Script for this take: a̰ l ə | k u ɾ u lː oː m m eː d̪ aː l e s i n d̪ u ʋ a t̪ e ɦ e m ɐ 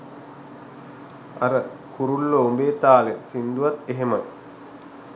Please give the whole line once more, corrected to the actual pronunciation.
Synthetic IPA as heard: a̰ ɾ ə | k u ɾ u lː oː m b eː t̪ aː l e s i n d̪ u ʋ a t̪ e ɦ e m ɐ